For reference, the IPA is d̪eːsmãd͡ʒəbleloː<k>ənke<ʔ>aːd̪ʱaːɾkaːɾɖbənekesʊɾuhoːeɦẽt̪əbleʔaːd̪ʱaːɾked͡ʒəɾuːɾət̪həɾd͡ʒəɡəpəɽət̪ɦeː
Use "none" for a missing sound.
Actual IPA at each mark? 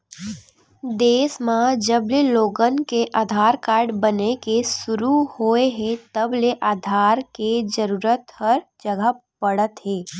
ɡ, ʔ

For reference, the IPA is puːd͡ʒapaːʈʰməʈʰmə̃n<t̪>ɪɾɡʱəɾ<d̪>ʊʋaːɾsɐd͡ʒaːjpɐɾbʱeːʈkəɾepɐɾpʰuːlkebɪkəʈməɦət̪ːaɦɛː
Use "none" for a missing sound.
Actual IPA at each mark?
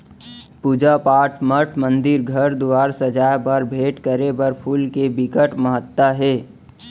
d̪, d̪

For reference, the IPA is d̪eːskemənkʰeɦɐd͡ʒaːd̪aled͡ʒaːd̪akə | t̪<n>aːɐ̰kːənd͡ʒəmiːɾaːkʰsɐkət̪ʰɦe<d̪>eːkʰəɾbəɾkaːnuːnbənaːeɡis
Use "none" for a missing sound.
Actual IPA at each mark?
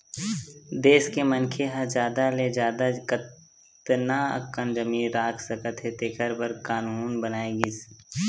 n, t̪

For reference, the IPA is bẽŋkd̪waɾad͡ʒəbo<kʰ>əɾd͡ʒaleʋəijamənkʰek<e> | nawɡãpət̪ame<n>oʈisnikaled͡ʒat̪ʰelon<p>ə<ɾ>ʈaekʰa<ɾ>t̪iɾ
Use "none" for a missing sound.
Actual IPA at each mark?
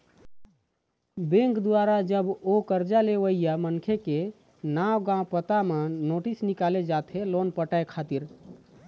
k, e, n, p, none, none

